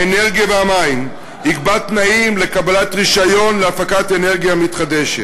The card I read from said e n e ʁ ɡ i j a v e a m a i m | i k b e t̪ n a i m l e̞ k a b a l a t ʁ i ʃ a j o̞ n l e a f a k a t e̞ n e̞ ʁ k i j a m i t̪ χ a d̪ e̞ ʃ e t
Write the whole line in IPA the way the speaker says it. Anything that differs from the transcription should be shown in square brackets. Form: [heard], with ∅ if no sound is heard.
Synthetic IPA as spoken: e n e ʁ ɡ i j a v e a m a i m | i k b [a] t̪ n a i m l e̞ k a b a l a t ʁ i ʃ a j o̞ n l e a f a k a t e̞ n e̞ ʁ [ɡ] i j a m i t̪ χ a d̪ e̞ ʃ e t

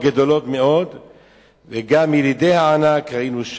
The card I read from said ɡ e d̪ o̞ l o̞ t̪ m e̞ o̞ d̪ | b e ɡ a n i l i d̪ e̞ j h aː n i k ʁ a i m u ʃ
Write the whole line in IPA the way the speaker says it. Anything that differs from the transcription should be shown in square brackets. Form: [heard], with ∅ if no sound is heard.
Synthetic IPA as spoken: ɡ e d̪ o̞ l o̞ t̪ m e̞ o̞ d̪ | [v] e ɡ a [m] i l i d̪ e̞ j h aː n [a] k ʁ a i [n] u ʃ

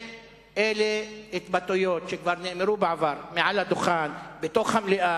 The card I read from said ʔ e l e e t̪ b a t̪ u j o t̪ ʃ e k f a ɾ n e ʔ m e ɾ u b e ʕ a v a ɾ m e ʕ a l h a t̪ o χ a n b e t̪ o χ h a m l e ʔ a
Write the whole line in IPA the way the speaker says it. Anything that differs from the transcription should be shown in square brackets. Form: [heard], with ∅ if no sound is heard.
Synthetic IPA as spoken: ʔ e l e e t̪ b a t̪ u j o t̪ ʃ e k [v] a ɾ n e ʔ m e ɾ u b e ʕ a v a ɾ m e ʕ a l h a [d̪] o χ a n b e t̪ o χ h a m l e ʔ a

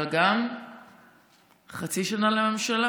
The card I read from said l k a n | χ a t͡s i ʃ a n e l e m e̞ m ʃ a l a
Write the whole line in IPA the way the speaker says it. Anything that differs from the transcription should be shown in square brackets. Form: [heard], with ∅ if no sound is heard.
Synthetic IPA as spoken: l [ɡ] a [m] | χ a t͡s i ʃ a n [a] l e m e̞ m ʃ a l a

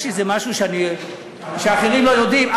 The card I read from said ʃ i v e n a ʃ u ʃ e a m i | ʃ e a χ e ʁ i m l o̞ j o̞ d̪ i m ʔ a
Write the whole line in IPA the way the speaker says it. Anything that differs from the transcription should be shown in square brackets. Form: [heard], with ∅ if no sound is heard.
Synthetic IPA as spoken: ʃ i [z] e [m] a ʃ u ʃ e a [n] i | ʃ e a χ e ʁ i m l o̞ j o̞ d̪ i m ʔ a

